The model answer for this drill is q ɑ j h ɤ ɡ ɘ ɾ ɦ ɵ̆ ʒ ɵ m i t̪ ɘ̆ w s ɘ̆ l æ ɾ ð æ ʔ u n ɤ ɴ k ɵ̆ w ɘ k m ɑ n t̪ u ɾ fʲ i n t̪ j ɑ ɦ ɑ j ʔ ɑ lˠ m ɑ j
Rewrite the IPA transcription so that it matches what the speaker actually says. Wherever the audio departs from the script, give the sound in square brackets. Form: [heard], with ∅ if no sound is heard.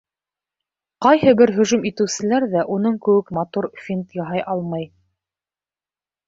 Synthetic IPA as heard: q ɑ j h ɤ [b] ɘ ɾ ɦ ɵ̆ ʒ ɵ m i t̪ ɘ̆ w s ɘ̆ l æ ɾ ð æ ʔ u n ɤ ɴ k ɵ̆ w ɘ k m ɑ [∅] t̪ u ɾ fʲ i n t̪ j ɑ ɦ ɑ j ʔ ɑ lˠ m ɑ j